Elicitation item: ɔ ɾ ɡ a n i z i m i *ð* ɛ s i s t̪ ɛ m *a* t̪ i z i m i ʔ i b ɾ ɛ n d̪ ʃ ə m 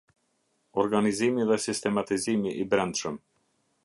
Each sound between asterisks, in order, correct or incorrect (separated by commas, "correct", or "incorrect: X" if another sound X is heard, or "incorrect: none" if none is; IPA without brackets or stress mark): correct, correct